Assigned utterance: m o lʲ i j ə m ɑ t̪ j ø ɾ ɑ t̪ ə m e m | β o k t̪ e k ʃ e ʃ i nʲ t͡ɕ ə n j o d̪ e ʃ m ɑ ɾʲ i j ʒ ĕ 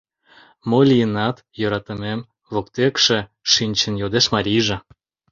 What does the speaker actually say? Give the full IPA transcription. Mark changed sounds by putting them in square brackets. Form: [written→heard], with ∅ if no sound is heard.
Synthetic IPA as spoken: m o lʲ i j ə [m→n] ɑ t̪ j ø ɾ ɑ t̪ ə m e m | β o k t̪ e k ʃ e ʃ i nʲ t͡ɕ ə n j o d̪ e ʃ m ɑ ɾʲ i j ʒ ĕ